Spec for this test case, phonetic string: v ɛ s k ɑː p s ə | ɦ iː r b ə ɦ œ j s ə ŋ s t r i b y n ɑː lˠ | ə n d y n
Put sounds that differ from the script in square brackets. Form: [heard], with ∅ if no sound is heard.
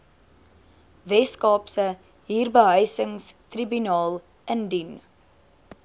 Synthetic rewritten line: v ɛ s k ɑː p s ə | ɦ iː r b ə ɦ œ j s ə ŋ s t r i b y n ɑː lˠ | ə n d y n